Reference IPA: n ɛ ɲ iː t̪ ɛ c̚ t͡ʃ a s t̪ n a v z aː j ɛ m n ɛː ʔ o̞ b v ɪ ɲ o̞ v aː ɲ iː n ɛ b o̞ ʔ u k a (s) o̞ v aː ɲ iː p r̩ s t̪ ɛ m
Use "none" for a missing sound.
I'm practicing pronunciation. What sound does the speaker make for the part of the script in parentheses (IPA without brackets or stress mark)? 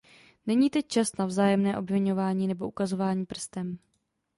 z